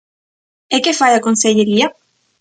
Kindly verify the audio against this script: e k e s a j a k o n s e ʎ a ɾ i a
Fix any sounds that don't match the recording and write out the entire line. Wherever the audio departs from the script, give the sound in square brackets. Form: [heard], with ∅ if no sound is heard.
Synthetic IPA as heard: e k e [f] a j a k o n s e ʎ [e] ɾ i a